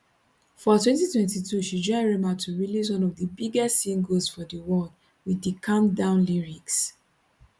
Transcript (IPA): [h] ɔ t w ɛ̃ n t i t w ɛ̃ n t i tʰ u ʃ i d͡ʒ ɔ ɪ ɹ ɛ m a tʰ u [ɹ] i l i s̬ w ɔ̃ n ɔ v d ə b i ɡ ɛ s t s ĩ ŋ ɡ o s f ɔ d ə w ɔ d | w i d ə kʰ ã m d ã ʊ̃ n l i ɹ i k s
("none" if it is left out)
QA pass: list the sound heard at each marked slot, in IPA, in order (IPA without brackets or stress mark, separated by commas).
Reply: f, ɹ